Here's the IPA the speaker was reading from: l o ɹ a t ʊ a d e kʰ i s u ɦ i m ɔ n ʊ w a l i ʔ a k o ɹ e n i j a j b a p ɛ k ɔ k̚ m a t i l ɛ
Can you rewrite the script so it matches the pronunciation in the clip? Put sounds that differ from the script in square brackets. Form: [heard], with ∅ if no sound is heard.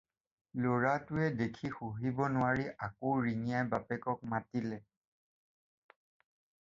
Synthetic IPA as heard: l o ɹ a t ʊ [ɛ] d e kʰ i [x] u ɦ i [b] ɔ n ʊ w a [ɹ] i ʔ a k o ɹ [i] n i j a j b a p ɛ k ɔ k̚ m a t i l ɛ